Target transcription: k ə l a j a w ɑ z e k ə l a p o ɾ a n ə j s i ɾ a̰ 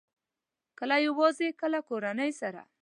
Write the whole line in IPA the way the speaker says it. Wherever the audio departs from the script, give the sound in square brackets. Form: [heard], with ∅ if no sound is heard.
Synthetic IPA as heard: k ə l a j a w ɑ z e k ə l a [k] o ɾ a n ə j s [a] ɾ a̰